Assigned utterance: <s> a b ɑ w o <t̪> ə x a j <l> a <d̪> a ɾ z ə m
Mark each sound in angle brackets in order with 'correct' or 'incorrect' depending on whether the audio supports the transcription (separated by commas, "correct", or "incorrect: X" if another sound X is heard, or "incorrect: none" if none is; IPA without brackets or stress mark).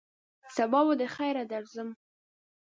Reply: correct, incorrect: d̪, incorrect: ɾ, correct